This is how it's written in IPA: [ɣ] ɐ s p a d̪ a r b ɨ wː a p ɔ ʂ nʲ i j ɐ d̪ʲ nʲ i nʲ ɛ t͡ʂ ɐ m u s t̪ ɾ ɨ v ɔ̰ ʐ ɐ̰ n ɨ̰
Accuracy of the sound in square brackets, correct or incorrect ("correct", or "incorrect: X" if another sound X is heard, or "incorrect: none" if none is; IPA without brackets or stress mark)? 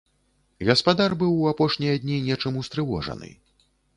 correct